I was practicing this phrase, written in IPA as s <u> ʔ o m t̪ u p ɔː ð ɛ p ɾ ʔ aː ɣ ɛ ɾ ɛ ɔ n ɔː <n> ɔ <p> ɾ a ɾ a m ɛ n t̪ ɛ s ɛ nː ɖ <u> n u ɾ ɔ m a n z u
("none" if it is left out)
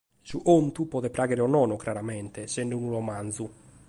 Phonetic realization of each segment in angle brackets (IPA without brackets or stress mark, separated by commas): u, n, k, u